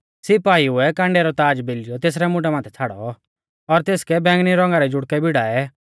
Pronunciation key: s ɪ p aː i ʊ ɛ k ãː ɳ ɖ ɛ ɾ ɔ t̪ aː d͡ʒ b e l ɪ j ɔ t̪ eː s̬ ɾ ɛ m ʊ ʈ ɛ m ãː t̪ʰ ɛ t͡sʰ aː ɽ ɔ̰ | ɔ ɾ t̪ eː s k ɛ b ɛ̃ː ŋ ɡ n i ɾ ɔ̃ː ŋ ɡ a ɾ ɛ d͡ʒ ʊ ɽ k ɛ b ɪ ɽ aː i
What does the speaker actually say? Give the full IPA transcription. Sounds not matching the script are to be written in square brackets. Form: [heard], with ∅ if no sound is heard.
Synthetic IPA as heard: s ɪ p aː i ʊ ɛ k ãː ɳ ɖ ɛ ɾ ɔ t̪ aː d͡ʒ b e l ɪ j ɔ t̪ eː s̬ ɾ ɛ m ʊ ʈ ɛ m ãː t̪ʰ ɛ t͡sʰ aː ɽ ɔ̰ | ɔ ɾ t̪ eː s k ɛ b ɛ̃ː ŋ ɡ n i ɾ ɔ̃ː ŋ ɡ a ɾ ɛ d͡ʒ ʊ ɽ k ɛ b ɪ ɽ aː [ɛ]